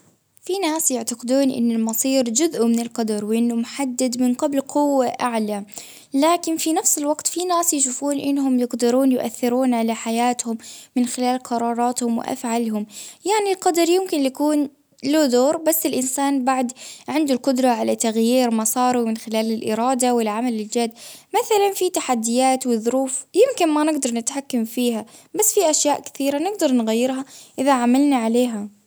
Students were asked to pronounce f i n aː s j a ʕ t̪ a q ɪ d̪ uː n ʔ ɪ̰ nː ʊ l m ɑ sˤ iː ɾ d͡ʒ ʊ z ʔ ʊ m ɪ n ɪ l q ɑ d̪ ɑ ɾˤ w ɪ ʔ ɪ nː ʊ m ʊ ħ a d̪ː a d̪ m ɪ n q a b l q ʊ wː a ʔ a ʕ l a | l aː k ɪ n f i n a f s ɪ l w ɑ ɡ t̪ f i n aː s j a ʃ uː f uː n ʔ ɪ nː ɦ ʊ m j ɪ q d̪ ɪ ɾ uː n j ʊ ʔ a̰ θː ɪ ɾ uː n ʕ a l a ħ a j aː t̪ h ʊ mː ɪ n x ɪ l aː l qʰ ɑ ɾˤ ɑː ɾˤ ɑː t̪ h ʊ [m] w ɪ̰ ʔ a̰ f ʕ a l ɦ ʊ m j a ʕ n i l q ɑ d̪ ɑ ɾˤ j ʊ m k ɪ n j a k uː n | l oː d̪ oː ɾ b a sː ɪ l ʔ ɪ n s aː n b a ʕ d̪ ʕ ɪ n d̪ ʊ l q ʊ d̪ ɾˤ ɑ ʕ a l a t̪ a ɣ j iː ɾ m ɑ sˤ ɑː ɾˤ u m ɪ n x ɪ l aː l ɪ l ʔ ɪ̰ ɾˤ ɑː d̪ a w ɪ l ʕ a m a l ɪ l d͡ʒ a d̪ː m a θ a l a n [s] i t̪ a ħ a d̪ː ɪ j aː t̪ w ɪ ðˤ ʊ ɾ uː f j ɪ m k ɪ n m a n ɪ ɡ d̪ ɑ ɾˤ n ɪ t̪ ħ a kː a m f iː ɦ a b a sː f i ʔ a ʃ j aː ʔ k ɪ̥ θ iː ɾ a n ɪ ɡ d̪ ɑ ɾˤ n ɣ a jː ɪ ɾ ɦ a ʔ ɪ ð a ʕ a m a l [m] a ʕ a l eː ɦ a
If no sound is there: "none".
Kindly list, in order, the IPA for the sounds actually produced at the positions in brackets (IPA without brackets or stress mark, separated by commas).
m, f, n